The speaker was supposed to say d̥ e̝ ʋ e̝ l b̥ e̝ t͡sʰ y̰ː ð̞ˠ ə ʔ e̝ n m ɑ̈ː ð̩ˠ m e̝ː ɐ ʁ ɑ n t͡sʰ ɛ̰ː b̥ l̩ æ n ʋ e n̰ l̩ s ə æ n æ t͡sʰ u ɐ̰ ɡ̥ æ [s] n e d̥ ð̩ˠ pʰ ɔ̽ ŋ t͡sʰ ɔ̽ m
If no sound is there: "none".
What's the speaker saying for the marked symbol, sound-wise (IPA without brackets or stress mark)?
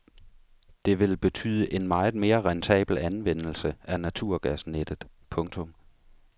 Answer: s